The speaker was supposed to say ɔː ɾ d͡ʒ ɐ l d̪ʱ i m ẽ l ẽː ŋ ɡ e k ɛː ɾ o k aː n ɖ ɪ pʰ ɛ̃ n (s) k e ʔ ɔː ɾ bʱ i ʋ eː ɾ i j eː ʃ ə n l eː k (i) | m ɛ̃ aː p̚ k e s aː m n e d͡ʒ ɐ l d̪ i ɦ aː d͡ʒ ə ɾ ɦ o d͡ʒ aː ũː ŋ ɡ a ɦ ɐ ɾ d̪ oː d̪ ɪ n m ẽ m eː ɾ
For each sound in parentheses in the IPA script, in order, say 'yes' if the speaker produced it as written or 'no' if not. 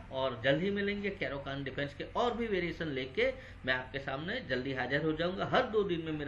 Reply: yes, no

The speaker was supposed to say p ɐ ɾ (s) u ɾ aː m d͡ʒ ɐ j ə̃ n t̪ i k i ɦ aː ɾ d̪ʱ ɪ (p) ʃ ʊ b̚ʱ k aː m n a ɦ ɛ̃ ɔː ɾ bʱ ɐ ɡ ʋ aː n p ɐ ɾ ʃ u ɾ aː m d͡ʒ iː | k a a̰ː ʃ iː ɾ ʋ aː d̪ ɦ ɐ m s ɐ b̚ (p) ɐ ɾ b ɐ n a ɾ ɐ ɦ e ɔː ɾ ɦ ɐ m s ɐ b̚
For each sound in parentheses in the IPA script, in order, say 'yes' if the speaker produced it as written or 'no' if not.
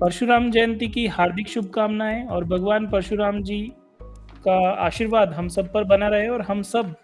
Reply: no, no, yes

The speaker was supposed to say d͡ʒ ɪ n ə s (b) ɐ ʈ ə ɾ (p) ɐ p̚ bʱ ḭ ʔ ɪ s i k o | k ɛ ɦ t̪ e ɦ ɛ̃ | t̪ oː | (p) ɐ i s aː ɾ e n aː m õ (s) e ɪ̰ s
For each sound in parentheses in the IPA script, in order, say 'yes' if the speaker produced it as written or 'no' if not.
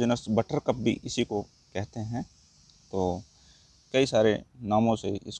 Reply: yes, no, no, yes

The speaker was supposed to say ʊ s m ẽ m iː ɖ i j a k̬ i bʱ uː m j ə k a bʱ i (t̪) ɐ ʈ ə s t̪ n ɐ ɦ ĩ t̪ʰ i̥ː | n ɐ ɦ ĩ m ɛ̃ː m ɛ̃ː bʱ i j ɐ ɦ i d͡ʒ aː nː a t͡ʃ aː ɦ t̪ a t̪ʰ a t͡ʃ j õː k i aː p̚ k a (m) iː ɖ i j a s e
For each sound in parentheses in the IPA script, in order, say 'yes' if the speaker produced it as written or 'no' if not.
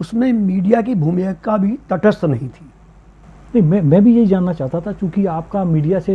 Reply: yes, yes

